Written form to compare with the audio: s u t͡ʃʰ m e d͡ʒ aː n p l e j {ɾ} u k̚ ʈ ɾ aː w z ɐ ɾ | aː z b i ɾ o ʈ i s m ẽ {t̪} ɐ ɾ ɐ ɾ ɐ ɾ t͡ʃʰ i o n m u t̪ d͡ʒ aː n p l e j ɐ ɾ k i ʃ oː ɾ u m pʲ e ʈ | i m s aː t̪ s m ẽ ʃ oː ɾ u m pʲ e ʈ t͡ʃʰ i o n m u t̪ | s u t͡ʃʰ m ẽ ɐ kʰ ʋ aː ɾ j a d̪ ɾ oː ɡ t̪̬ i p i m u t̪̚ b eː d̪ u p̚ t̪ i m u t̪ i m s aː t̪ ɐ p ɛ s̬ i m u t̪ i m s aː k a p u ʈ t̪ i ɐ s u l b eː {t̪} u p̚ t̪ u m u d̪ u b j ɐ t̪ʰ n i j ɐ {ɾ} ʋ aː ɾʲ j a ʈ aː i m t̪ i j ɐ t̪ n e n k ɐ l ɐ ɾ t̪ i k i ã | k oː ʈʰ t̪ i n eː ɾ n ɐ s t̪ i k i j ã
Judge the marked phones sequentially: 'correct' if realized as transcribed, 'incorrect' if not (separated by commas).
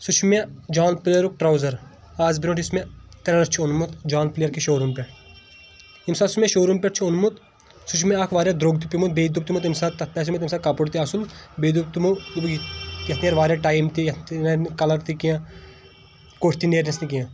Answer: correct, correct, incorrect, correct